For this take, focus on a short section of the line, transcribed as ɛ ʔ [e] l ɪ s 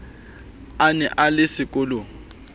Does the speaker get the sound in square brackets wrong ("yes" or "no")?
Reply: yes